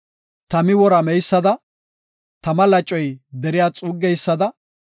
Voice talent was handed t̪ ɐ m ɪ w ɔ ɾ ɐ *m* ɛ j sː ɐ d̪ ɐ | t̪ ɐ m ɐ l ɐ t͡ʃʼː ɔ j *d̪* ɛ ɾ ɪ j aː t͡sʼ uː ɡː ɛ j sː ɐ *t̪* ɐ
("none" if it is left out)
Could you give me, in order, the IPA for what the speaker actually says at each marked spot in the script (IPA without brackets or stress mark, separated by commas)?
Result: m, d̪, d̪